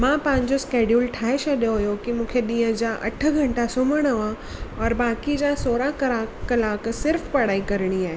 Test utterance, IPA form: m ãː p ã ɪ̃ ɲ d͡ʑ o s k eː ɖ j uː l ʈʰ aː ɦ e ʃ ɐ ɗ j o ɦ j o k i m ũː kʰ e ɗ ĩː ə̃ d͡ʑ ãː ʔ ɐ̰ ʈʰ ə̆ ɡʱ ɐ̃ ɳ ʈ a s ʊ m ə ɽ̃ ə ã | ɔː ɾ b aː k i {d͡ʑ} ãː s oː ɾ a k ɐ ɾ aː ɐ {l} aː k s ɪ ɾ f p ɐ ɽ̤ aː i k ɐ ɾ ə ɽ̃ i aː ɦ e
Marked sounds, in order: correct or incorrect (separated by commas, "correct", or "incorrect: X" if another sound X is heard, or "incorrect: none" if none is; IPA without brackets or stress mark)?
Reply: correct, correct